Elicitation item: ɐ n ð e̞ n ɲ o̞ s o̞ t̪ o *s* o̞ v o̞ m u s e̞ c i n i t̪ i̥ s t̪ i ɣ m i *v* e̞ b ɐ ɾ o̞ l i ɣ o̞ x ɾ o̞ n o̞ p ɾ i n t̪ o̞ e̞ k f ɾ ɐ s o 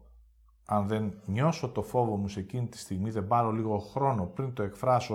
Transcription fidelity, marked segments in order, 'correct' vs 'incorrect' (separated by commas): incorrect, incorrect